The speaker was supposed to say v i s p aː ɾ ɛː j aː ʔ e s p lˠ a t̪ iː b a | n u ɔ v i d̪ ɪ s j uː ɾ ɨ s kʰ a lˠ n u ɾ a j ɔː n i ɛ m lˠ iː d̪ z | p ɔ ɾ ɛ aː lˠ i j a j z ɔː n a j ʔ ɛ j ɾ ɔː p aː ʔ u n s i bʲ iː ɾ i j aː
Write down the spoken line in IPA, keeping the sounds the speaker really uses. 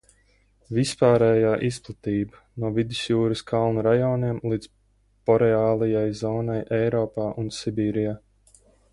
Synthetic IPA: v i s p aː ɾ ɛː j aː ʔ i s p lˠ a t̪ iː b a | n u ɔ v i d̪ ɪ s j uː ɾ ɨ s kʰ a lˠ n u ɾ a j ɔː n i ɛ m lˠ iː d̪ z | p ɔ ɾ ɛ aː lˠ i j a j z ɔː n a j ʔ ɛ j ɾ ɔː p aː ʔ u n s i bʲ iː ɾ i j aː